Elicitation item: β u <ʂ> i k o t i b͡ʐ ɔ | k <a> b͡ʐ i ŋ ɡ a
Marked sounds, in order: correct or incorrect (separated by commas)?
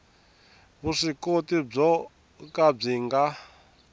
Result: correct, correct